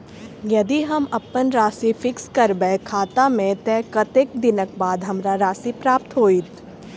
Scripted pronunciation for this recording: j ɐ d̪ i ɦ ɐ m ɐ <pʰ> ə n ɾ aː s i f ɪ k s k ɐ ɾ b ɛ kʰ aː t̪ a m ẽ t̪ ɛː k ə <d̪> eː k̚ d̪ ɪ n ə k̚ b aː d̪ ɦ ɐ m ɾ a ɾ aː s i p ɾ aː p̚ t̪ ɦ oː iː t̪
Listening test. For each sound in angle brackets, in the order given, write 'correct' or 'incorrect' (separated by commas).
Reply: incorrect, incorrect